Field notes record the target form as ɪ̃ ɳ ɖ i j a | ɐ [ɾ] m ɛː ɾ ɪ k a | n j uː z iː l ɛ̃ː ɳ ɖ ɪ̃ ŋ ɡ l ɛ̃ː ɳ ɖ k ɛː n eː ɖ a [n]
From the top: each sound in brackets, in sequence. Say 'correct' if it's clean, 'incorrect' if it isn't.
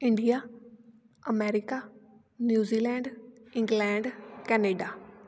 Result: incorrect: none, incorrect: none

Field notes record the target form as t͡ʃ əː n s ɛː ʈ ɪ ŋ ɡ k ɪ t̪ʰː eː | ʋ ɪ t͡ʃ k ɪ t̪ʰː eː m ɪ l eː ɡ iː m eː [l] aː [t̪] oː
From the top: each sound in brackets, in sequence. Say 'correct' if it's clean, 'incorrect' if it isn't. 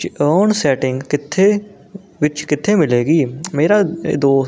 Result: incorrect: ɾ, incorrect: d̪

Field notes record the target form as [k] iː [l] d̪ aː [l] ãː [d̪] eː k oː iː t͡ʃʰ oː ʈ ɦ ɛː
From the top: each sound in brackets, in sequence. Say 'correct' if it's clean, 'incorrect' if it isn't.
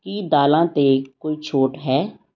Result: correct, incorrect: none, correct, incorrect: t̪

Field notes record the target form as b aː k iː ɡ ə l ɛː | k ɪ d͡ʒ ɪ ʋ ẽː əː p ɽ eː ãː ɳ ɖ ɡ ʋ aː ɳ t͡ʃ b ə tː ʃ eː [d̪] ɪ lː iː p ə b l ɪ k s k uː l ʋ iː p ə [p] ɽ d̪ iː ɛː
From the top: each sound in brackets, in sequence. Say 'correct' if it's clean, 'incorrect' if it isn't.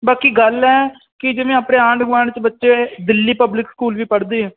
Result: correct, incorrect: none

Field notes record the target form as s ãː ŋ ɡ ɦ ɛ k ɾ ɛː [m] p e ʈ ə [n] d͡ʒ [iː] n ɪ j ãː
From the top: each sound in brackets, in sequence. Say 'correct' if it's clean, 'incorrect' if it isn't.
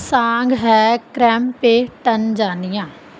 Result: correct, correct, incorrect: aː

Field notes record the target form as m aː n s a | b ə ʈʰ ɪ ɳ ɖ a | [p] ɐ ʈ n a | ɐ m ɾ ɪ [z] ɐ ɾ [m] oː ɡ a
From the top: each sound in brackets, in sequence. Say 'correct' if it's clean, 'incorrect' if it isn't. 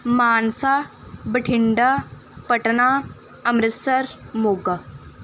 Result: correct, incorrect: s, correct

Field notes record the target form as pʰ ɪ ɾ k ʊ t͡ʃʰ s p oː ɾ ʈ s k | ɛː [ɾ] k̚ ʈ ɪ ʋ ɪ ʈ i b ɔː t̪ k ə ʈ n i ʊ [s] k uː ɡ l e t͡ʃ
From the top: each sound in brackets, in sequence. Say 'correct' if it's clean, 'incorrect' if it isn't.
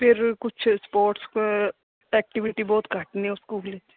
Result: incorrect: none, correct

